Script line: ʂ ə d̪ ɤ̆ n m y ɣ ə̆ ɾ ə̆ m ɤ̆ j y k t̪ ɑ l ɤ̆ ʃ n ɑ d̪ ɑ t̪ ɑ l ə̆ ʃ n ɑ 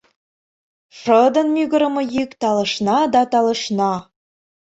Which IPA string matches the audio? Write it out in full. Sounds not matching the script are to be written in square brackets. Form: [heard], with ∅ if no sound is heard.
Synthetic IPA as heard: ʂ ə d̪ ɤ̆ n m y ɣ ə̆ ɾ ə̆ m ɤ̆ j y k t̪ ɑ l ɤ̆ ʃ n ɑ d̪ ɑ t̪ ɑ l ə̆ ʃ n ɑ